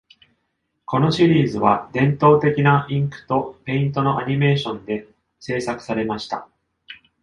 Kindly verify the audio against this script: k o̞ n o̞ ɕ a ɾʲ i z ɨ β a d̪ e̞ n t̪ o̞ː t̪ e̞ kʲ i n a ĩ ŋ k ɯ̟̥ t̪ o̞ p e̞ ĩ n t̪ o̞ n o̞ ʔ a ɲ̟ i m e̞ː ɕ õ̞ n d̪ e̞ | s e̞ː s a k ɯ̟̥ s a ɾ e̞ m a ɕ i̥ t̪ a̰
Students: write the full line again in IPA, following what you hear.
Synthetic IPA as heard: k o̞ n o̞ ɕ i ɾʲ iː z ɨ β a d̪ ẽ̞ n t̪ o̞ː t̪ e̞ kʲ i n a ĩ ŋ k ɯ̟̥ t̪ o̞ p e̞ ĩ n t̪ o̞ n o̞ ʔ a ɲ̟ i m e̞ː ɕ õ̞ n d̪ e̞ | s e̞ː s a k ɯ̟̥ s a ɾ e̞ m a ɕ i̥ t̪ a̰

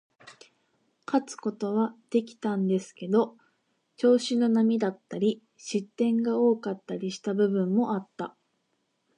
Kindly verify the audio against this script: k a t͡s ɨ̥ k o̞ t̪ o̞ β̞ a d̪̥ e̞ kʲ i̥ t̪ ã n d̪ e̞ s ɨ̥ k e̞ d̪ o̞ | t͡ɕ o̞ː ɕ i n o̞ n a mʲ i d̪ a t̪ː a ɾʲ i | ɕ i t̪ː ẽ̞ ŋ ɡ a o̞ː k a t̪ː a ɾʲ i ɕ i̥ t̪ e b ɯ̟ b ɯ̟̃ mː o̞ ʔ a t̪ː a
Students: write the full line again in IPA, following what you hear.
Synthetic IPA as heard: k a t͡s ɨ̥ k o̞ t̪ o̞ β̞ a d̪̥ e̞ kʲ i̥ t̪ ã n d̪ e̞ s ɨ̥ k e̞ d̪ o̞ | t͡ɕ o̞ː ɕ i n o̞ n a mʲ i d̪ a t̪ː a ɾʲ i | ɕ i t̪ː ẽ̞ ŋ ɡ a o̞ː k a t̪ː a ɾʲ i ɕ i̥ t̪ a b ɯ̟ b ɯ̟̃ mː o̞ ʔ a t̪ː a

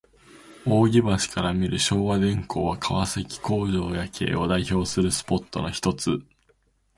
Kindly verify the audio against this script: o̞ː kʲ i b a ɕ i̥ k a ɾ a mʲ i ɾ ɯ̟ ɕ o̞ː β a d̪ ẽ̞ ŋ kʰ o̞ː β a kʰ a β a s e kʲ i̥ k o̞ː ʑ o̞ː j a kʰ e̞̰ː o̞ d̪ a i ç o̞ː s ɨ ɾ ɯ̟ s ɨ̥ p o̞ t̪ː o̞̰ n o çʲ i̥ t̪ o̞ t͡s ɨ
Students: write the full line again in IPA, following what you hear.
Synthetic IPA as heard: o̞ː ɡʲ i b a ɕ i̥ k a ɾ a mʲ i ɾ ɯ̟ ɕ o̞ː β a d̪ ẽ̞ ŋ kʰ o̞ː β a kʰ a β a s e kʲ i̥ k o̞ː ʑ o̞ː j a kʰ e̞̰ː o̞ d̪ a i ç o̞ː s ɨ ɾ ɯ̟ s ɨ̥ p o̞ t̪ː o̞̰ n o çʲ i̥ t̪ o̞ t͡s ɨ

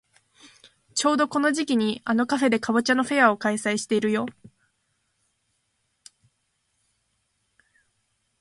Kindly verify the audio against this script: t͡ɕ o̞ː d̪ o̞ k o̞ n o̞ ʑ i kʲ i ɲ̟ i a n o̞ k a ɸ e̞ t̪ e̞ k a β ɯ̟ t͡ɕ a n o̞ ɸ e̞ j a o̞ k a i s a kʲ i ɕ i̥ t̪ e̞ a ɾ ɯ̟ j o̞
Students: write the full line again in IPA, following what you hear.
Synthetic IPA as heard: t͡ɕ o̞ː d̪ o̞ k o̞ n o̞ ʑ i kʲ i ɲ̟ i a n o̞ k a ɸ e̞ d̪ e̞ k a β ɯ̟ t͡ɕ a n o̞ ɸ e̞ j a o̞ k a i s a i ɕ i̥ t̪ e̞ i ɾ ɯ̟ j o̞

